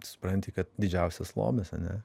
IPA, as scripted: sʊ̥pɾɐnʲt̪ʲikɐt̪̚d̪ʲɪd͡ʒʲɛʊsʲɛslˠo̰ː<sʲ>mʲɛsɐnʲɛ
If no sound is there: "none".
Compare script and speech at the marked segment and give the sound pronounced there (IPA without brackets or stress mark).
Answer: none